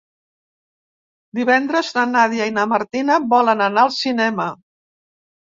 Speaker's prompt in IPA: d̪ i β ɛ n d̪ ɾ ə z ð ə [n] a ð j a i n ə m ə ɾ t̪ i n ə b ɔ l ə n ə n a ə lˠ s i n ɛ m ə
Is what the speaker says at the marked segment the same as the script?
yes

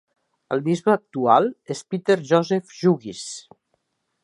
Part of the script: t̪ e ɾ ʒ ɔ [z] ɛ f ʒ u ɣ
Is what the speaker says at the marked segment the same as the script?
yes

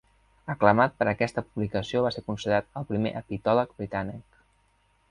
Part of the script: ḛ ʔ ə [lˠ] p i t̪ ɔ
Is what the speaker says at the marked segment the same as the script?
no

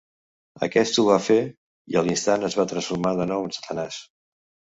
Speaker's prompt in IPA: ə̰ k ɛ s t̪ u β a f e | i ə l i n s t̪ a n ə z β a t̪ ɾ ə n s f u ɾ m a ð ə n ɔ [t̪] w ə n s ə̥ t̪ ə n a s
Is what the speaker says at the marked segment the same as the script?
no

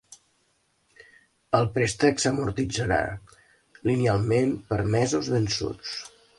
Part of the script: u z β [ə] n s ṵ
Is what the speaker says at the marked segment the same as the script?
yes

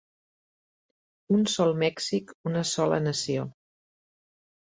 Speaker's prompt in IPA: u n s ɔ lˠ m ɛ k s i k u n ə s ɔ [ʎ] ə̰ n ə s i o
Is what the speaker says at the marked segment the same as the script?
no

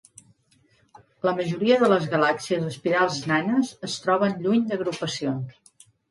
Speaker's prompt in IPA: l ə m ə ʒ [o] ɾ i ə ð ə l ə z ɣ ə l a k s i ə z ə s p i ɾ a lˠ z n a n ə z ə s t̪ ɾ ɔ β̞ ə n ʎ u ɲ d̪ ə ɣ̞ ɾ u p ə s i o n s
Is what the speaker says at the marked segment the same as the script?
no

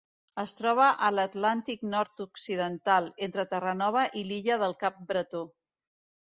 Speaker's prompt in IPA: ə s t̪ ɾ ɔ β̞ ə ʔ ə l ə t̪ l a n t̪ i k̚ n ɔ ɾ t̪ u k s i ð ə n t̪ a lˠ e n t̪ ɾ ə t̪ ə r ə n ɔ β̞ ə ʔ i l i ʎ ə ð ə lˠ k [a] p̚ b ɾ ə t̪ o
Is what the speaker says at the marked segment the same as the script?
yes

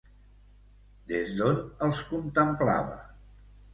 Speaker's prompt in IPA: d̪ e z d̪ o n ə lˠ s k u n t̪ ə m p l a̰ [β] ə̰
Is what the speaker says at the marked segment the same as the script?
yes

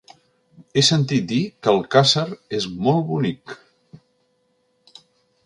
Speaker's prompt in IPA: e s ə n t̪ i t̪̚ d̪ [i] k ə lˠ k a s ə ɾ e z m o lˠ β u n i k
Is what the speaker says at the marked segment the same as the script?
yes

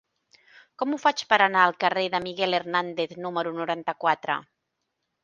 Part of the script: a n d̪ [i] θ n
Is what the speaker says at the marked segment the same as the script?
no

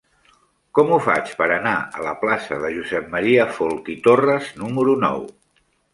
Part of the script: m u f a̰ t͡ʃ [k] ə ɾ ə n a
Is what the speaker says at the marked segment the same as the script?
no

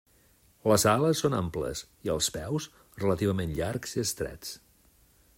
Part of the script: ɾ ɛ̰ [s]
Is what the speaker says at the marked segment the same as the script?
no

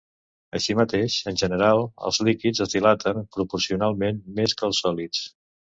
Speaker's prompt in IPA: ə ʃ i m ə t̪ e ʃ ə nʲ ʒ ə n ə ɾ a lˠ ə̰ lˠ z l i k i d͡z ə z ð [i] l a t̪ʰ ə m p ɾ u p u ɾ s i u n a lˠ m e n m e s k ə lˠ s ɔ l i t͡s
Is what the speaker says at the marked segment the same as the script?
yes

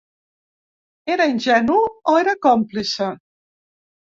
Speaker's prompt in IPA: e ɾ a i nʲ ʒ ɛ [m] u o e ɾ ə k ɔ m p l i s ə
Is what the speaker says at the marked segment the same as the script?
no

